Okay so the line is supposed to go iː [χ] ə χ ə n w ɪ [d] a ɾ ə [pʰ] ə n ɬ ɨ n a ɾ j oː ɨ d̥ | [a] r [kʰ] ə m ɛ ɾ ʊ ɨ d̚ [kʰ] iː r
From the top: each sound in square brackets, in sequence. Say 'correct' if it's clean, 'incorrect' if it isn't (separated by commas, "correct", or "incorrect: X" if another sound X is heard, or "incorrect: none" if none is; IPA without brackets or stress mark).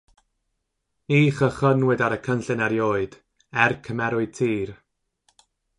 correct, correct, incorrect: kʰ, incorrect: ɛ, correct, incorrect: tʰ